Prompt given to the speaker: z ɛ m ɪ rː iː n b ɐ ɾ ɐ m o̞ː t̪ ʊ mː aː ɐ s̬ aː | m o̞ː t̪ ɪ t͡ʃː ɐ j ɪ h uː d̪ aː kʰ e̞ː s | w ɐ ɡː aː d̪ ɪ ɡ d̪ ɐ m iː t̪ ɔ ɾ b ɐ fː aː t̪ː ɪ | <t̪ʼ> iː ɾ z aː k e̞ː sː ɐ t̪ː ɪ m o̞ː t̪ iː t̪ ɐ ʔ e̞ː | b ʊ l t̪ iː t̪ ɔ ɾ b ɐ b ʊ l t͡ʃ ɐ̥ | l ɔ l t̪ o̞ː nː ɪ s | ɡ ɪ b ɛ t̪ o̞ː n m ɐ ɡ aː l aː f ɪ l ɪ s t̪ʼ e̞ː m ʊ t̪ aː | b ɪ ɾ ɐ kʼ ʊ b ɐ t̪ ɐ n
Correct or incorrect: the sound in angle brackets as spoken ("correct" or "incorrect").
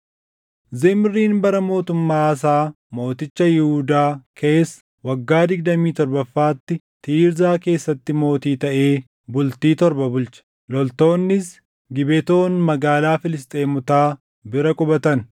incorrect